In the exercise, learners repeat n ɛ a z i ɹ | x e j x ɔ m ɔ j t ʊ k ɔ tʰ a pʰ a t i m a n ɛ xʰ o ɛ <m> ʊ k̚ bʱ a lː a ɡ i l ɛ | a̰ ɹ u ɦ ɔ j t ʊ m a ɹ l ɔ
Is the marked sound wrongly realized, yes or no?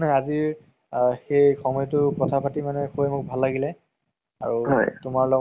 no